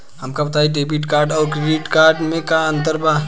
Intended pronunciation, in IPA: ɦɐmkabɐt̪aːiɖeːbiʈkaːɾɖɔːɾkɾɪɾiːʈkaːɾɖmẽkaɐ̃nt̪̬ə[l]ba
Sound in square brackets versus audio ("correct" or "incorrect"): incorrect